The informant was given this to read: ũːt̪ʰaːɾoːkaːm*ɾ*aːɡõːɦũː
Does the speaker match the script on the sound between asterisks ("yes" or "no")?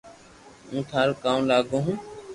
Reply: no